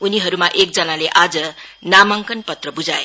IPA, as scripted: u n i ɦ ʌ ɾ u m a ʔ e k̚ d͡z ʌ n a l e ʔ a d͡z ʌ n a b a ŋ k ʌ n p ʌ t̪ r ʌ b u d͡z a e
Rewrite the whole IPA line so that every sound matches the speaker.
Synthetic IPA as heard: u n i ɦ ʌ ɾ u m a ʔ e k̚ d͡z ʌ n a l e ʔ a d͡z ʌ n a m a ŋ k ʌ n p ʌ t̪ r ʌ b u d͡z a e